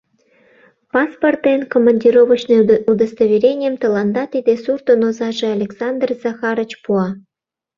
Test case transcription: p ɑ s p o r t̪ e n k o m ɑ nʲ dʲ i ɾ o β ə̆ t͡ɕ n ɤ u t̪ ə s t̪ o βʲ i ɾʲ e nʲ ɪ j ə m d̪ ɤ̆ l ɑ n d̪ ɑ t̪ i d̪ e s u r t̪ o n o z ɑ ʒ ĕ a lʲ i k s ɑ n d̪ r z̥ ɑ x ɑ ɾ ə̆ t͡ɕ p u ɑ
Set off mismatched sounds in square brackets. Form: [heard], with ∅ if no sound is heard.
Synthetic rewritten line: p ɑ s p o r t̪ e n k o m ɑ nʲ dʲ i ɾ o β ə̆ t͡ɕ n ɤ u [d̪] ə s t̪ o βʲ i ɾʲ e nʲ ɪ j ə m [t̪] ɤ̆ l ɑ n d̪ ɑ t̪ i d̪ e s u r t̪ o n o z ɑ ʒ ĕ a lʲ [e] k s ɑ n d̪ r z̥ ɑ x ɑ ɾ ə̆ t͡ɕ p u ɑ